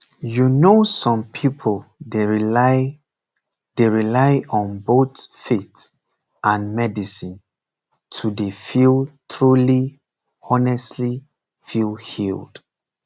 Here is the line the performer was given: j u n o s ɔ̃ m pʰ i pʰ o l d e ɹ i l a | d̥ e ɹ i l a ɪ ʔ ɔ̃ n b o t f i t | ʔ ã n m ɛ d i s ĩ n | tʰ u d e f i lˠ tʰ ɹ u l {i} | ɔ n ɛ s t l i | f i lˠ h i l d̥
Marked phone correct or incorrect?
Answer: correct